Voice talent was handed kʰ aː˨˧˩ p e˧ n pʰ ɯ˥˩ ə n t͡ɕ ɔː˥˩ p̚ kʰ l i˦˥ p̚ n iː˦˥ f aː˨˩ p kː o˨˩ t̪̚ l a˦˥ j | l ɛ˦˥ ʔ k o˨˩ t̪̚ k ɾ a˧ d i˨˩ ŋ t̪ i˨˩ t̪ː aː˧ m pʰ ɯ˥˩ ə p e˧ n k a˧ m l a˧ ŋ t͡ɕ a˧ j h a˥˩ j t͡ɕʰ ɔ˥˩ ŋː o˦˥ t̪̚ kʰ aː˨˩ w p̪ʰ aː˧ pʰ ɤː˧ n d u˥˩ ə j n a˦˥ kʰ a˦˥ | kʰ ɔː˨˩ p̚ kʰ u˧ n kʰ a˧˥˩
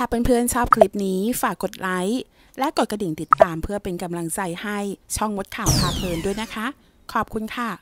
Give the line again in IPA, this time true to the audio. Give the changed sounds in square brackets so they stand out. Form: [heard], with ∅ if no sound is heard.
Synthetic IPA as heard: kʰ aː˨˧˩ p e˧ n pʰ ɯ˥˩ ə n [t͡ɕʰ] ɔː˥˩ p̚ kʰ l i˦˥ p̚ n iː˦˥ f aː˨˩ [∅] kː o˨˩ t̪̚ l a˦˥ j | l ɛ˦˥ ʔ k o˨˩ t̪̚ k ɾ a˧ d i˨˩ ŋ t̪ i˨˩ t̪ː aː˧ m pʰ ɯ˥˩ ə p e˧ n k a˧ m l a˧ ŋ t͡ɕ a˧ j h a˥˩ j t͡ɕʰ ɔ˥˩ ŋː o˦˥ t̪̚ kʰ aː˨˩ w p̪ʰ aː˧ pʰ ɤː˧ n d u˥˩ ə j n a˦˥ kʰ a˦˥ | kʰ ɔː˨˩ p̚ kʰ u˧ n kʰ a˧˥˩